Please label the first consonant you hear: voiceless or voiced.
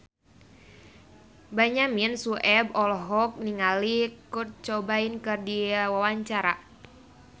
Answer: voiced